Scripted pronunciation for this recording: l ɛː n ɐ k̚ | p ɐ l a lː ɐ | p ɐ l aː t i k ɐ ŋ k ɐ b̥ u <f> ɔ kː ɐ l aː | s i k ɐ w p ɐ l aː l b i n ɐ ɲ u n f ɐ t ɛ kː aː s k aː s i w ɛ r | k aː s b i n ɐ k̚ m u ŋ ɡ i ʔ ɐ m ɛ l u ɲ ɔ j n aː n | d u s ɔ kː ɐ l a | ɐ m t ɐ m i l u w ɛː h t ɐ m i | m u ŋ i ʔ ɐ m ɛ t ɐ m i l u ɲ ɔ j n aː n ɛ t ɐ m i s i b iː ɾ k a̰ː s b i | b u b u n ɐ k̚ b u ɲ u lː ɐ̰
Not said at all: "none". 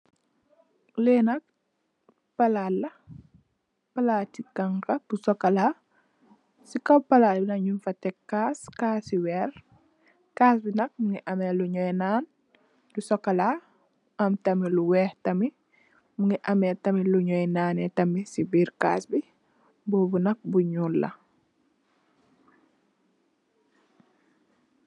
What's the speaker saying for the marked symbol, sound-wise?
s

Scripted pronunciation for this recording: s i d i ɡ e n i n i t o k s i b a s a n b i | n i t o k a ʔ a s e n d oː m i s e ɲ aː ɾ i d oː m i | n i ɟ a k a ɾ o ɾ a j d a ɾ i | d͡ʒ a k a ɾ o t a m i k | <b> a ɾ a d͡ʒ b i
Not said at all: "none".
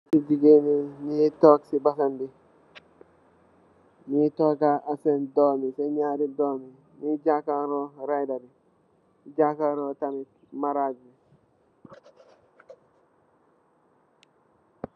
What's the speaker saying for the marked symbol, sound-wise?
m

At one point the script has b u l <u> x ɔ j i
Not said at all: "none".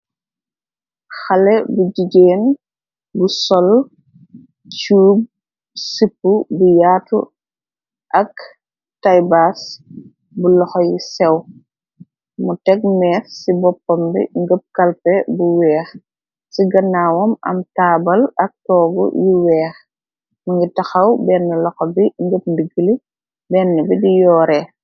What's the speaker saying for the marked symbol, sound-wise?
ɔ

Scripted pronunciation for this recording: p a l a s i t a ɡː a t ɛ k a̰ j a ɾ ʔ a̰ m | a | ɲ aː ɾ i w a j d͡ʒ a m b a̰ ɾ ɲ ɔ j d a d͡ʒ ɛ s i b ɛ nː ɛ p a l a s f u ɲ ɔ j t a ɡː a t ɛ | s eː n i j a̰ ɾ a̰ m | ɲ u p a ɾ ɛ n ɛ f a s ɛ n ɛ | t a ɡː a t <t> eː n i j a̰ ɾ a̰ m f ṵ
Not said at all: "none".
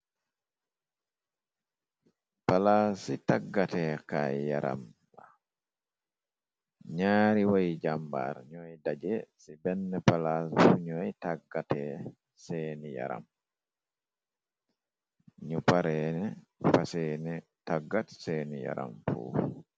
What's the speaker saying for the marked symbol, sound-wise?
s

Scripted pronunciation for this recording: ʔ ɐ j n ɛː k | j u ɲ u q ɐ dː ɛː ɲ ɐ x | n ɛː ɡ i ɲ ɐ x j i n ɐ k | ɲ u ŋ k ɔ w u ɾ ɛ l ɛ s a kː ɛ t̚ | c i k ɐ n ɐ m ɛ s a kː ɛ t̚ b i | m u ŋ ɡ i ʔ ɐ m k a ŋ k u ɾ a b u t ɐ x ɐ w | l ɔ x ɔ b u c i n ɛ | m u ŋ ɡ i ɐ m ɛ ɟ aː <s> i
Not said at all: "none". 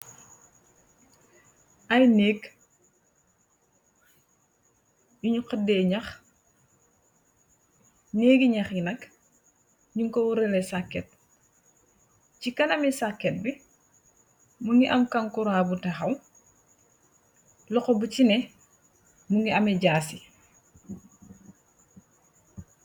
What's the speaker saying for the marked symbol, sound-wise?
s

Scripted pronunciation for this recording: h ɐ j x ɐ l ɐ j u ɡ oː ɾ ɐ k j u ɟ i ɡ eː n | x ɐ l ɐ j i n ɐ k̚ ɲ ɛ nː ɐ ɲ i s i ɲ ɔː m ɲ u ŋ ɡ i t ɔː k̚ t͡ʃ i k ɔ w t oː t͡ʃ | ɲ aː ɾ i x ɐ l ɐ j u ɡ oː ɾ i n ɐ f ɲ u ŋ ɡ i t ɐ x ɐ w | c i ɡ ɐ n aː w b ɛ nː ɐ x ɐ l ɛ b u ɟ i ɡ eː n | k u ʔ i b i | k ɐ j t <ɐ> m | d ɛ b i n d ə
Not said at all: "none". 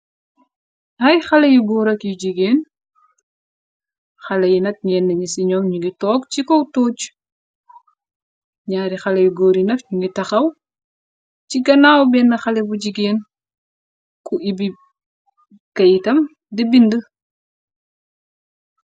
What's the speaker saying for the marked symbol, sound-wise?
ɐ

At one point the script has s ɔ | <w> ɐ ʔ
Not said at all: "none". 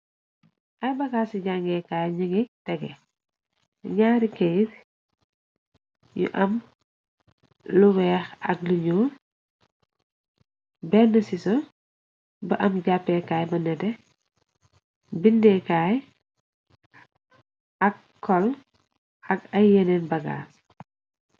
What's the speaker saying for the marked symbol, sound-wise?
b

